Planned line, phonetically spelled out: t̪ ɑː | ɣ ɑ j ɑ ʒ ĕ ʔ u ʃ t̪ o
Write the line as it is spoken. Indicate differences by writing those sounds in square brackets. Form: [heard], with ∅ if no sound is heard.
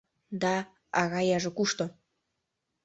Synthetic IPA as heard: [d̪] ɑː | ɣ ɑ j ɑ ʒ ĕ [k] u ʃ t̪ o